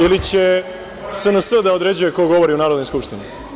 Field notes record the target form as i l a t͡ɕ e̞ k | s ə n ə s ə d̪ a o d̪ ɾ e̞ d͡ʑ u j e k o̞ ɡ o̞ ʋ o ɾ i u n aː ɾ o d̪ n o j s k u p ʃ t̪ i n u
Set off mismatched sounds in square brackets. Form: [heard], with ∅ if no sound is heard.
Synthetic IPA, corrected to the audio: i l [i] t͡ɕ e̞ [∅] | s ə n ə s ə d̪ a o d̪ ɾ e̞ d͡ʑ u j e k o̞ ɡ o̞ ʋ o ɾ i u n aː ɾ o d̪ n o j s k u p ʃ t̪ i n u